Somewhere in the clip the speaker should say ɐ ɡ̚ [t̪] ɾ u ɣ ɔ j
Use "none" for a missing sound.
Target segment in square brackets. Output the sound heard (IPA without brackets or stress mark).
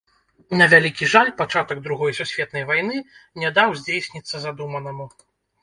d̪